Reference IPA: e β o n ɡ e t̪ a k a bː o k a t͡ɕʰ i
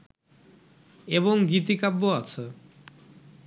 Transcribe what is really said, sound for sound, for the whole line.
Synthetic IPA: e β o ŋ ɡ i t̪ i k a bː o a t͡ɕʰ e